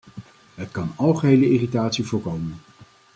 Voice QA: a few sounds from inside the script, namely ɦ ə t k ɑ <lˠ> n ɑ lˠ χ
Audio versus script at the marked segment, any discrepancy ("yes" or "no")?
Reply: yes